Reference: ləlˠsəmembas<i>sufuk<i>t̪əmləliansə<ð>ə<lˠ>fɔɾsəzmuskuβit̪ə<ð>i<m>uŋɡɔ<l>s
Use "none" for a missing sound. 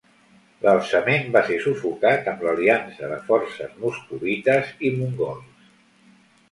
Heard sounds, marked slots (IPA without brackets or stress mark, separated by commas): e, a, ð, none, z, m, l